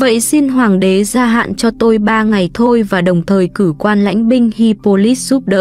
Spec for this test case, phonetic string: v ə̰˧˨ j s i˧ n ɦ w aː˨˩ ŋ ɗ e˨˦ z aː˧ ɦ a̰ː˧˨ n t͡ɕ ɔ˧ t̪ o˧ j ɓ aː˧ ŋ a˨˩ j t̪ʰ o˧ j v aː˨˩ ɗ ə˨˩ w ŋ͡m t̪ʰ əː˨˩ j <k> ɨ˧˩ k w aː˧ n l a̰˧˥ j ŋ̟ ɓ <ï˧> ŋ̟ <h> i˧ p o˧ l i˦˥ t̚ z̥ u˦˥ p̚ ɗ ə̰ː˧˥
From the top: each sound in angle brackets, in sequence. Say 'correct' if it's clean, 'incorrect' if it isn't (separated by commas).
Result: correct, correct, correct